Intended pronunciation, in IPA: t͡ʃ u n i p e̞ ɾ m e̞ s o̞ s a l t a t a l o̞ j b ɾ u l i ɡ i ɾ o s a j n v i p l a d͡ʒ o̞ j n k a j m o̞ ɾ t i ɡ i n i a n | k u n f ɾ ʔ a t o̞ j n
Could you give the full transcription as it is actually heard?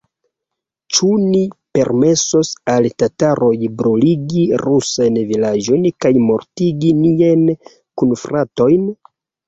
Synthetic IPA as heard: t͡ʃ u n i p e̞ ɾ m e̞ s o̞ s a l t a t a ɾ o̞ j b ɾ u l i ɡ i ɾ u s a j n v i l a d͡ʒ o̞ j n k a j m o̞ ɾ t i ɡ i n i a n | k u n f ɾ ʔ a t o̞ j n